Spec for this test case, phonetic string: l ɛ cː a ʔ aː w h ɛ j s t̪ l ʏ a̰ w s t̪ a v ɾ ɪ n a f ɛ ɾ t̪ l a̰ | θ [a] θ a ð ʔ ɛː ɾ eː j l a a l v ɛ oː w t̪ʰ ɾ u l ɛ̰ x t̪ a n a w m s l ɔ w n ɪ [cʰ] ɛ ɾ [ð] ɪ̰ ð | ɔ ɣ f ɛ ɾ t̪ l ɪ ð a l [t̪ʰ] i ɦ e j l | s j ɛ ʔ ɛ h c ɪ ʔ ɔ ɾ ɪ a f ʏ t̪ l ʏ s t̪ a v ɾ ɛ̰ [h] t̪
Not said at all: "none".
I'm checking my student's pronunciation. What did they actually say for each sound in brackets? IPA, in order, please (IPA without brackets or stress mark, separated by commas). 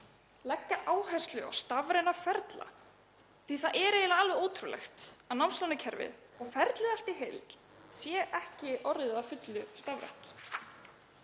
i, cʰ, v, t̪, h